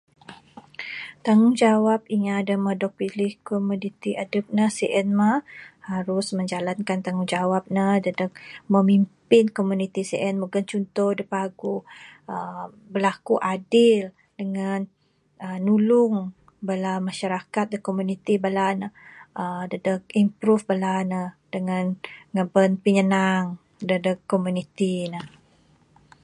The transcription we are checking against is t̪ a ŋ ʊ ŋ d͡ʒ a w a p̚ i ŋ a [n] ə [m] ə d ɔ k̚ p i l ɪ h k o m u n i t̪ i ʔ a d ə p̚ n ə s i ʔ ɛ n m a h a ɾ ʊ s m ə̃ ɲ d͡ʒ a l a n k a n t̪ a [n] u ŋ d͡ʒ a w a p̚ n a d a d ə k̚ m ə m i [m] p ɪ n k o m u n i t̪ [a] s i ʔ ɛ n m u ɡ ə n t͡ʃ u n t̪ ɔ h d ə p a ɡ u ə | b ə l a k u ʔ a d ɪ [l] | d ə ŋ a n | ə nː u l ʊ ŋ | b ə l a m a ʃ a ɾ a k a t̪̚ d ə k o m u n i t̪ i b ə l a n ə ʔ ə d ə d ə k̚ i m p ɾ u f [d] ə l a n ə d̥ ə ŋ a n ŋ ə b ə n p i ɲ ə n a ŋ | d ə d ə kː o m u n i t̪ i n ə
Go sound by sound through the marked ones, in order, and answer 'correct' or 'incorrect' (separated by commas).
incorrect, correct, incorrect, correct, incorrect, correct, incorrect